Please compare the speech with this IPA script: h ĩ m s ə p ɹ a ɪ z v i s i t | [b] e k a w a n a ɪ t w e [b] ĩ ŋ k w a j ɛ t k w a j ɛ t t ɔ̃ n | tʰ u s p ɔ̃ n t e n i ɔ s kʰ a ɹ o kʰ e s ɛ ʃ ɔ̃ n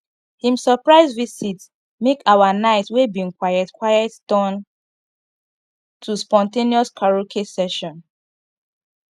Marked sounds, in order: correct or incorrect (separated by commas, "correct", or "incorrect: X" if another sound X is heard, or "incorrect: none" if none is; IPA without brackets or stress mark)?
incorrect: m, correct